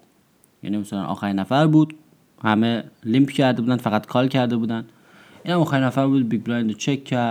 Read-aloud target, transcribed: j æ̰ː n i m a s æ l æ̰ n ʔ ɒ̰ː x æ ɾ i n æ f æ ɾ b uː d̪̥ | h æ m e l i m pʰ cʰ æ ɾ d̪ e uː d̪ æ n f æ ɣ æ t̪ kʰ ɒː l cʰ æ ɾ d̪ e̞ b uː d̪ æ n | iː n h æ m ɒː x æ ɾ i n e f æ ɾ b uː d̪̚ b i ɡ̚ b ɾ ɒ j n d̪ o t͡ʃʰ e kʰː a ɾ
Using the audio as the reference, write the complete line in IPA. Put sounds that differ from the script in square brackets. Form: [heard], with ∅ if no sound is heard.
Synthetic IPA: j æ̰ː n i m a s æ l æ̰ n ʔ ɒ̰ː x æ ɾ i n æ f æ ɾ b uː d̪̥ | h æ m e l i m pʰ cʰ æ ɾ d̪ e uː d̪ æ n f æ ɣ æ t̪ kʰ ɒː l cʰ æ ɾ d̪ e̞ b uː d̪ æ n | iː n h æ m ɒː x æ ɾ i n [æ] f æ ɾ b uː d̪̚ b i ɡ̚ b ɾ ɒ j n d̪ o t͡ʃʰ e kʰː [æ] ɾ